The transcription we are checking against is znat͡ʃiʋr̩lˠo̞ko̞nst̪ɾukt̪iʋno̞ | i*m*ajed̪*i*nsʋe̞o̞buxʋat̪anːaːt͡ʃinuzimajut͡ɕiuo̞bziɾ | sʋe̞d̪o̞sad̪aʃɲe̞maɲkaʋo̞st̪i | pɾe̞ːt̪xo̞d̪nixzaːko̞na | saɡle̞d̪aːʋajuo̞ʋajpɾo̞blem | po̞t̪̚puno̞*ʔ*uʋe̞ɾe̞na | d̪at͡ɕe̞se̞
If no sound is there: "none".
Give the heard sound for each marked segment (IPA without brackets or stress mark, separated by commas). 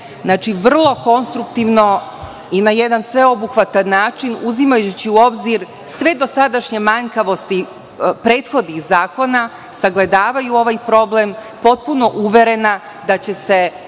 n, a, ʔ